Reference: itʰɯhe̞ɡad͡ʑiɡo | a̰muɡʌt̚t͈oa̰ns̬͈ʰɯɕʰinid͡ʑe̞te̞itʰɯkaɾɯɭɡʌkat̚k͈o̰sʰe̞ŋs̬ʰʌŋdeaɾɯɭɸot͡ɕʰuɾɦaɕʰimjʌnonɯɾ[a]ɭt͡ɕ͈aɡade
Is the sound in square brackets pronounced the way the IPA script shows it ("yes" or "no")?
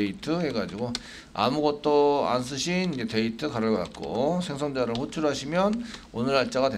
yes